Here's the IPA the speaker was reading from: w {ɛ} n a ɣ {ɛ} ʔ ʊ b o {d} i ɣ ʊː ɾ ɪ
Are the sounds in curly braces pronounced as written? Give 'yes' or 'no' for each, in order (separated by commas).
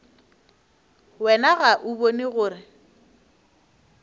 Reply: yes, no, no